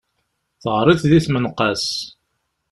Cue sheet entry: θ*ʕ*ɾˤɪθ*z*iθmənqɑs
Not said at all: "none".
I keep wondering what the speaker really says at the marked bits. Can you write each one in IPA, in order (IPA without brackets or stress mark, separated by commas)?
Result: ʁ, ð